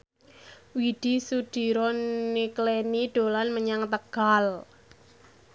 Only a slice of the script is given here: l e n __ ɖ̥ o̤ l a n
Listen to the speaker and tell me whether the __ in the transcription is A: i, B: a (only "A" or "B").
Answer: A